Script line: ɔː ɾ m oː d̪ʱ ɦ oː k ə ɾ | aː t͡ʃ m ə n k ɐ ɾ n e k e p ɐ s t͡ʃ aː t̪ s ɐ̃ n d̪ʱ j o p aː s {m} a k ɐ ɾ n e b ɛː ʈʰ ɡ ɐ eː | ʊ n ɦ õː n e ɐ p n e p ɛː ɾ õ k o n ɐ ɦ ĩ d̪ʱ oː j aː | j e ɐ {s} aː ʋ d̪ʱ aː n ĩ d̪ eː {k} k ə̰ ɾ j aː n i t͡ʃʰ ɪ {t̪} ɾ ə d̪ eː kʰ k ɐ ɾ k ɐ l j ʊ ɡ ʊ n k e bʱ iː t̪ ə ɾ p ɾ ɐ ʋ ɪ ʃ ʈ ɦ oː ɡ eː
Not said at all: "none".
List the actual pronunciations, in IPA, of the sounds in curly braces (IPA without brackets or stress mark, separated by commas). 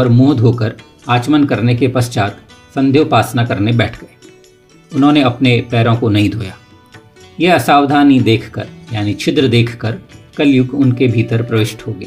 n, s, kʰ, d̪